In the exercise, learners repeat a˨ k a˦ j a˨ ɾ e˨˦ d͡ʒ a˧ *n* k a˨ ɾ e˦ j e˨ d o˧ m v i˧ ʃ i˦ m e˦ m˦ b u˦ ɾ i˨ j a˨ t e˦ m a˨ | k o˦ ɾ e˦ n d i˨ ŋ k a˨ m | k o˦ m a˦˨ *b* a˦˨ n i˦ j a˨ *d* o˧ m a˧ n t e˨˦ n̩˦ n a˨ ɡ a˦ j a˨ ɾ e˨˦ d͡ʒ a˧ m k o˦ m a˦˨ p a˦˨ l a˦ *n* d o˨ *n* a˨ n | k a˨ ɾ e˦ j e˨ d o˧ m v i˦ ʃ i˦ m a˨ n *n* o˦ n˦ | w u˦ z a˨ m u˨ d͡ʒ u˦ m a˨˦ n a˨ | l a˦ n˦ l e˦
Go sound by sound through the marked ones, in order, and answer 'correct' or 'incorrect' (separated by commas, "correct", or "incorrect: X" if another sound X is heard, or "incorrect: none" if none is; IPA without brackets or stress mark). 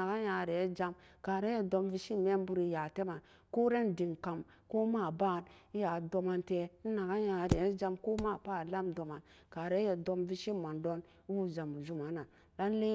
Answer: incorrect: m, correct, correct, incorrect: m, incorrect: m, incorrect: d